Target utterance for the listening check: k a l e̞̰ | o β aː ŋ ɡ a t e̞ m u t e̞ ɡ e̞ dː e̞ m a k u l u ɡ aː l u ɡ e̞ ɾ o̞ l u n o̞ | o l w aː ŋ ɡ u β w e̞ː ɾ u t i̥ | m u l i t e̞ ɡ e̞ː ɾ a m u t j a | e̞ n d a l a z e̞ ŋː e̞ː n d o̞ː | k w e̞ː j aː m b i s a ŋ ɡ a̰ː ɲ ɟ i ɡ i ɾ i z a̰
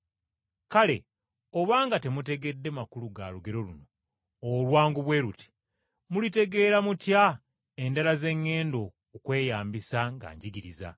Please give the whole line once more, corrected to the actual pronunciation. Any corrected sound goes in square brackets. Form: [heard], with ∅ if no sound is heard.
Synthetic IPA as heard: k a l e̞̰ | o β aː ŋ ɡ a t e̞ m u t e̞ ɡ e̞ dː e̞ m a k u l u ɡ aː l u ɡ e̞ ɾ o̞ l u n o̞ | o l w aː ŋ ɡ u β w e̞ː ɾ u t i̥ | m u l i t e̞ ɡ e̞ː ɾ a m u t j a | e̞ n d a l a z e̞ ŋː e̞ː n d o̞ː | k w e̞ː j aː m b i s a ŋ ɡ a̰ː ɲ ɟ i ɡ i ɾ i z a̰